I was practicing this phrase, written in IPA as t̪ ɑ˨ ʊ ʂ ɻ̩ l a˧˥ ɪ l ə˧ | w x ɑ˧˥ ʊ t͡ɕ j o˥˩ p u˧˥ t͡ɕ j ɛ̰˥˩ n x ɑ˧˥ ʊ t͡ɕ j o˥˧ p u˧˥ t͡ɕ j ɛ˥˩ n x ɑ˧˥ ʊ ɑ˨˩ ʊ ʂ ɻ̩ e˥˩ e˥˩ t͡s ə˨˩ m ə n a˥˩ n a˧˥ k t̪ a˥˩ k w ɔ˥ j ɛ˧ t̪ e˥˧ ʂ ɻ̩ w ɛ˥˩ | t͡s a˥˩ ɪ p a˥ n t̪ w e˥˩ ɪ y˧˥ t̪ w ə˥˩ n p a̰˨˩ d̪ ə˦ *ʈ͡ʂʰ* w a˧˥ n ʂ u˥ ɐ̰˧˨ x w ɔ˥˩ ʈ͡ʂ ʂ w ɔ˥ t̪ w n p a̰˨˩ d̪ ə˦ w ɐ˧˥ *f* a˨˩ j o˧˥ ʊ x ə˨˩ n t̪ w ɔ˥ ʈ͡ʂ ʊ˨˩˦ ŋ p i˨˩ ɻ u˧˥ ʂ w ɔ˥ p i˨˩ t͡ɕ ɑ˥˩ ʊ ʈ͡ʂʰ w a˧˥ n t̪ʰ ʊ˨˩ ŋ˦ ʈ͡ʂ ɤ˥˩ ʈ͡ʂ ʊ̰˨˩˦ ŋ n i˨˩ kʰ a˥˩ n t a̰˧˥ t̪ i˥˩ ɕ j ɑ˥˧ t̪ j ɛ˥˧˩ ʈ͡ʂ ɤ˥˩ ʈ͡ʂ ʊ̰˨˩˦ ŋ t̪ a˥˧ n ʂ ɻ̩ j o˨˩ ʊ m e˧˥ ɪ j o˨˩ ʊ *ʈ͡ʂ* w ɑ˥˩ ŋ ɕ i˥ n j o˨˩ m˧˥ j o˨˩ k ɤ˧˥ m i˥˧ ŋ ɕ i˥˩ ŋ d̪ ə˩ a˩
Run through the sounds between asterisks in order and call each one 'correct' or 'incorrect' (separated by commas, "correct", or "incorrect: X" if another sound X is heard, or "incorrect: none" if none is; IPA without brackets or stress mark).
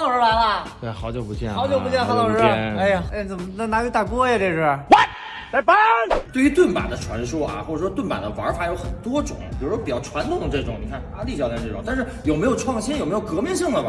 correct, correct, incorrect: ʈ͡ʂʰ